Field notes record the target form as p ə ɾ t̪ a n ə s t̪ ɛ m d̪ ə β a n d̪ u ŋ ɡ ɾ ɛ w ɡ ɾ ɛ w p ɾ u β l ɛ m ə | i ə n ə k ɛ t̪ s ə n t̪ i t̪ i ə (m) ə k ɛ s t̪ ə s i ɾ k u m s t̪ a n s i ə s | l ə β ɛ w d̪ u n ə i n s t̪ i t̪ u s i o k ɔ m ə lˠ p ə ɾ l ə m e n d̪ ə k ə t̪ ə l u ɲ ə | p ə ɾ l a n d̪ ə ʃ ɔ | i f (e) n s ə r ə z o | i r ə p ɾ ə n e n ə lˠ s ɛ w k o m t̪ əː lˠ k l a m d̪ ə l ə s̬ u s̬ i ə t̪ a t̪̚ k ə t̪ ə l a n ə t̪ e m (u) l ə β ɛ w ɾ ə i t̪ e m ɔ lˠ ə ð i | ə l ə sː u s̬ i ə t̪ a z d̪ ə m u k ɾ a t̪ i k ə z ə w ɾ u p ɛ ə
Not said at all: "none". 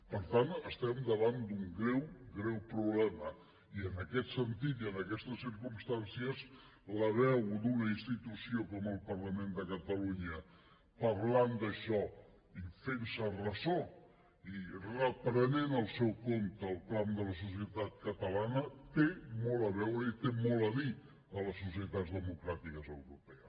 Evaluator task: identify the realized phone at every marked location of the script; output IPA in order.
n, e, ɔ

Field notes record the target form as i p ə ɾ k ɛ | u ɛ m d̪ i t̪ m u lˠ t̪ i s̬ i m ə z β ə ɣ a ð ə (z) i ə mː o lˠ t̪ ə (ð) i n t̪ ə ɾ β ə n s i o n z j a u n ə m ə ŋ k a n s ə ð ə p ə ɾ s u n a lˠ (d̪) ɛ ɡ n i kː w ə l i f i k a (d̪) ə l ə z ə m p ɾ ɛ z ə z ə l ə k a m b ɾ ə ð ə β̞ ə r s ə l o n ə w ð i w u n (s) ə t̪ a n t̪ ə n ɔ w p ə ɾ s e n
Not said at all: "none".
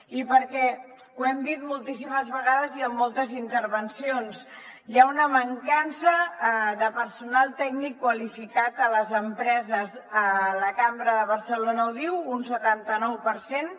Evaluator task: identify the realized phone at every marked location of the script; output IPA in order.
z, z, t̪, t̪, s

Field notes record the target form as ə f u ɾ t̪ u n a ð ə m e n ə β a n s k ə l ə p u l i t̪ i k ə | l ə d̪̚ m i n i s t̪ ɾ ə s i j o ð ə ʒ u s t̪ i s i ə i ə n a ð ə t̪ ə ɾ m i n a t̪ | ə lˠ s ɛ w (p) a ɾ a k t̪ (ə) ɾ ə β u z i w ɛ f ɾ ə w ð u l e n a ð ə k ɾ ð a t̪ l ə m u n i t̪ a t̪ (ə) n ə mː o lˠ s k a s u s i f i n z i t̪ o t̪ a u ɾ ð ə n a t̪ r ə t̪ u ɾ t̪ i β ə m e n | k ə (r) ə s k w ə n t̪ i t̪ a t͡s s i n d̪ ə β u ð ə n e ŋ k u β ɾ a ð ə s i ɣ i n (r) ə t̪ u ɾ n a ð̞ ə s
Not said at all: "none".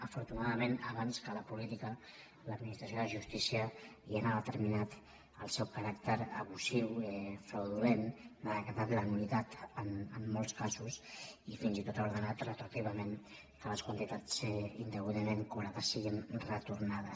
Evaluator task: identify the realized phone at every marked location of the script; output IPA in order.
k, ə, ə, l, r

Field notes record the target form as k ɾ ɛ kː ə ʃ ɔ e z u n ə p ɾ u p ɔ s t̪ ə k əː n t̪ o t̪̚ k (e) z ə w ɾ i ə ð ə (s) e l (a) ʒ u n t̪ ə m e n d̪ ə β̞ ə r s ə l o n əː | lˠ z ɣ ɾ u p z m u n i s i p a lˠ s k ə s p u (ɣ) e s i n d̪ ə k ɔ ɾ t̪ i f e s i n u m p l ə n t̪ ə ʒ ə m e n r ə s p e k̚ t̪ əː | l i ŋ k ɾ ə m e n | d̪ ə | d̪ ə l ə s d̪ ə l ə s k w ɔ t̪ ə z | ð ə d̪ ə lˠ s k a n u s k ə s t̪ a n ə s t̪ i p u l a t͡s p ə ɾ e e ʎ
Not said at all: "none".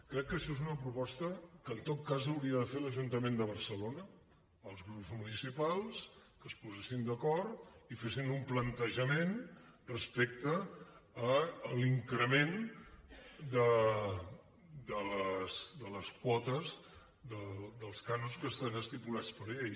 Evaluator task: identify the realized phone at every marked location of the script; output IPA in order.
a, f, ə, z

